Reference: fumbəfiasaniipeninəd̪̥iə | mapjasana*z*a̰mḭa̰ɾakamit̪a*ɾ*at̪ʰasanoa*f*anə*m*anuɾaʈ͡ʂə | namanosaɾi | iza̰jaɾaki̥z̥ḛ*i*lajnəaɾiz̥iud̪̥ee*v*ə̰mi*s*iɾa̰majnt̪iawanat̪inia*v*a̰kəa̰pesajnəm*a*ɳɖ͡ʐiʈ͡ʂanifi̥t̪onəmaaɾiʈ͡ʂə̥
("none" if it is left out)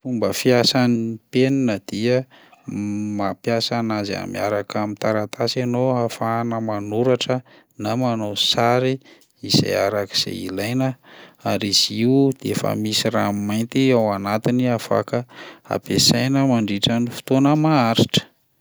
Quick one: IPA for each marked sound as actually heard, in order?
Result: z, ɾ, f, m, i, f, s, f, a

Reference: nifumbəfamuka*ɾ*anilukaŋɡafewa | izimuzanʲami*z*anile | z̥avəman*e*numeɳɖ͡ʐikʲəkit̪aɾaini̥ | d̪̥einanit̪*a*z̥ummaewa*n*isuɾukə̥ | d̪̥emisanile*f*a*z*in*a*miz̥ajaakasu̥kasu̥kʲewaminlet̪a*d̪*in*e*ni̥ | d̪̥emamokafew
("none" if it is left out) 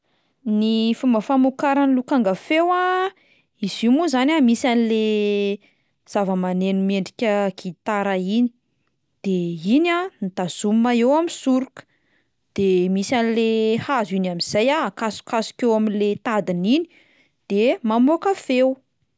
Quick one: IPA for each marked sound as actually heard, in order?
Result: ɾ, s, e, a, m, h, z, a, d̪, i

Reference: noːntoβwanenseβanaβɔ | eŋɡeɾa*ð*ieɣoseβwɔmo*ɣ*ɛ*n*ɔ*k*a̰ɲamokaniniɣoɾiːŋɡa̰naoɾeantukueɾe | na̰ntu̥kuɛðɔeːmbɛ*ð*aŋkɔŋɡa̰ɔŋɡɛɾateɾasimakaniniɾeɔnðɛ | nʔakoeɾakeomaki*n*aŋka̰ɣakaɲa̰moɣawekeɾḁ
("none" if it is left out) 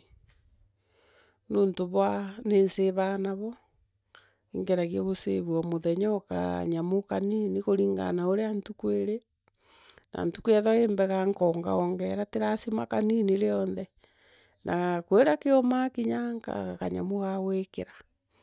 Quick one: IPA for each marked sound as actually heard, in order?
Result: ɣ, ð, ɲ, k, ɣ, ɲ

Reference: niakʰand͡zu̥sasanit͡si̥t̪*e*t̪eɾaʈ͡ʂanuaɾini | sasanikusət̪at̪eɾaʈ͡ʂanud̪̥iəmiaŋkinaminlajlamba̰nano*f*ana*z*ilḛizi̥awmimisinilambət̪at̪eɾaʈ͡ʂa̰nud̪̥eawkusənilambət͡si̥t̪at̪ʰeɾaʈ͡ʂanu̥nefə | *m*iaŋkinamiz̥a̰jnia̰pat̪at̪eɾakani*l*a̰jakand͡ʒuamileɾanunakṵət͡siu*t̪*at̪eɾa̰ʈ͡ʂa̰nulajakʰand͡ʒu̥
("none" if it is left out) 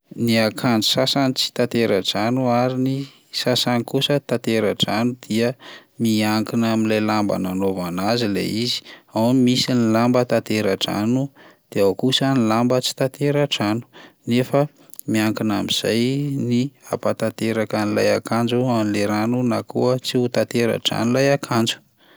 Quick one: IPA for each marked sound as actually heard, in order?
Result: a, v, z, m, l, t̪

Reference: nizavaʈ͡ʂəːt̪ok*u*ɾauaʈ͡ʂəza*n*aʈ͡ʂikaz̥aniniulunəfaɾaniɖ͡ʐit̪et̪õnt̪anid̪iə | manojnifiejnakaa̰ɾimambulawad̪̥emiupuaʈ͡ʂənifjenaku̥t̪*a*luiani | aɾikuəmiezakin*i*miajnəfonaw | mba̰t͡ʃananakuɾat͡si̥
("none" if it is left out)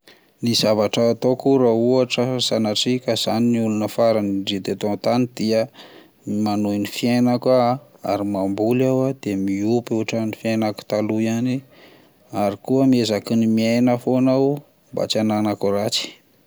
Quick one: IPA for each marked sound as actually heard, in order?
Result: u, n, a, i

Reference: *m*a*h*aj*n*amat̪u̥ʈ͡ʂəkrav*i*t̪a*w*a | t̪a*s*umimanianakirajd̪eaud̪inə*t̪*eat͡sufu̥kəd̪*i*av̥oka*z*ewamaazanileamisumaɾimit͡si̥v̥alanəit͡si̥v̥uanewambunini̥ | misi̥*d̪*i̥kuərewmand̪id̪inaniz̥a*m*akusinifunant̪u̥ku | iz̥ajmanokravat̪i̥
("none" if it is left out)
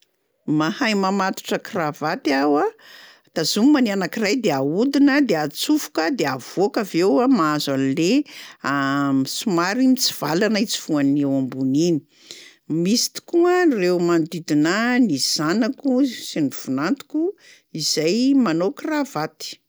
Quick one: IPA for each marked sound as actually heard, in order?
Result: m, h, m, a, w, z, d̪, e, v, t̪, n

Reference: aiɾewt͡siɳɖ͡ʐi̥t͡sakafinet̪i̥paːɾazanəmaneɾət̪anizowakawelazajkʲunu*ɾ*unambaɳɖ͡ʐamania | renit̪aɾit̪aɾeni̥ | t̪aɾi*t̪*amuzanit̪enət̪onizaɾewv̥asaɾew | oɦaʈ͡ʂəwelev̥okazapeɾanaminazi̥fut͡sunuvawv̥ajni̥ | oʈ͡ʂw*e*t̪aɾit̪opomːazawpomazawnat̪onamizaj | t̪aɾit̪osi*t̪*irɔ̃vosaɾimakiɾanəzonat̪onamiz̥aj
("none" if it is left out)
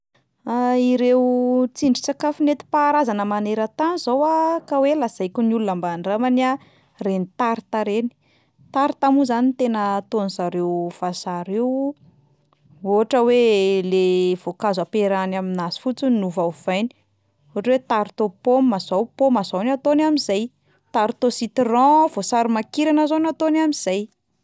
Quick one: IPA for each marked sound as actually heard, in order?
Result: l, t̪, e, t̪

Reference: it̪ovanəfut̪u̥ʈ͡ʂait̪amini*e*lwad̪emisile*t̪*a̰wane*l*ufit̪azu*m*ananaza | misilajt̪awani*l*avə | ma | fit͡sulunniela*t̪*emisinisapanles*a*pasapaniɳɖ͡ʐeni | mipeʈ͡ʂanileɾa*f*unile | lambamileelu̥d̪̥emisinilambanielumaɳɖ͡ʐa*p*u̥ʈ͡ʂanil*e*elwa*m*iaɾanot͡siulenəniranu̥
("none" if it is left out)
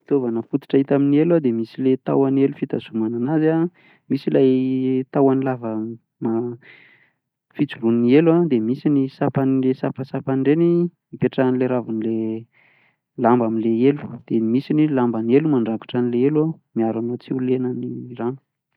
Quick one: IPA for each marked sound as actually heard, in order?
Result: e, t̪, l, m, l, d̪, a, v, k, e, m

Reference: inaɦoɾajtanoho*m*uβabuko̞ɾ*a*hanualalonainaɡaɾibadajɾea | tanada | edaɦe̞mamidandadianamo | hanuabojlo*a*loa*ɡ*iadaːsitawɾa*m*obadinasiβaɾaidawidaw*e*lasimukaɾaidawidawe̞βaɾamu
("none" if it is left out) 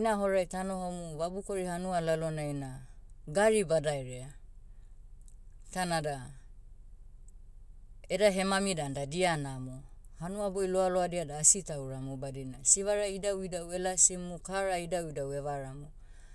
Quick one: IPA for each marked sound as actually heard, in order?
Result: m, i, a, d, m, e

